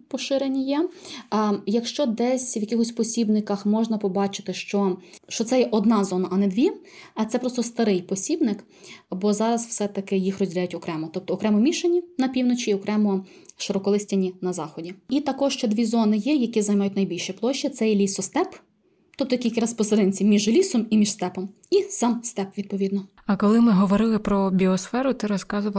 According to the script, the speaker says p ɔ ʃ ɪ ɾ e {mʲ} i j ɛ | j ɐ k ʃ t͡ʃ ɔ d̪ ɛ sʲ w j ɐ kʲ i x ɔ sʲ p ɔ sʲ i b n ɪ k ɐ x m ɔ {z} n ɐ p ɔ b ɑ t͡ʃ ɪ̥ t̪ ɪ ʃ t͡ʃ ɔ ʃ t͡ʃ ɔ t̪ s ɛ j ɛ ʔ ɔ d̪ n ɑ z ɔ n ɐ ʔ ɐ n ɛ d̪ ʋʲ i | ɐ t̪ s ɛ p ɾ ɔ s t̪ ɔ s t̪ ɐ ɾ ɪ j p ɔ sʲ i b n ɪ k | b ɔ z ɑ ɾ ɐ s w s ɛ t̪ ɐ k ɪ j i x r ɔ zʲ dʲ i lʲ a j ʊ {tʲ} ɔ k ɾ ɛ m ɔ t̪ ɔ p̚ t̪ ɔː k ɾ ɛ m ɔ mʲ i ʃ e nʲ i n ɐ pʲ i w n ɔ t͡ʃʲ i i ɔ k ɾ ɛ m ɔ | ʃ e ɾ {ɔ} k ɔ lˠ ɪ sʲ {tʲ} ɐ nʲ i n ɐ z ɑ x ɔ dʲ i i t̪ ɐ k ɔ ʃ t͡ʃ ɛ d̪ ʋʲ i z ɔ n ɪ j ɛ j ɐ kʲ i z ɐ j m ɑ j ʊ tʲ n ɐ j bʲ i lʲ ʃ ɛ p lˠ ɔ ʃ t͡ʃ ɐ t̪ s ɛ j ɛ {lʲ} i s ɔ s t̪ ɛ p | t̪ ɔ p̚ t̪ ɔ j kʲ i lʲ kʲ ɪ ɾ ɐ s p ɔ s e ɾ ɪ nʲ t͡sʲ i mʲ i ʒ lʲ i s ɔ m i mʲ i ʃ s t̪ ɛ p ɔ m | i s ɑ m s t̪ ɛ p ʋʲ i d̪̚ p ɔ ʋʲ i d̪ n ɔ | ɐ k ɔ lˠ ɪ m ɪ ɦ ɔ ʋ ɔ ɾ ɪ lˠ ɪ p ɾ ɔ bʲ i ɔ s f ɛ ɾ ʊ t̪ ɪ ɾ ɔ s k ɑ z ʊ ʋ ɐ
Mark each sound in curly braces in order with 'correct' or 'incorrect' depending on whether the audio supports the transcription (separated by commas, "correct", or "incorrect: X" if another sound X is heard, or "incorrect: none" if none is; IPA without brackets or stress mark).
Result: incorrect: nʲ, incorrect: ʒ, correct, correct, correct, correct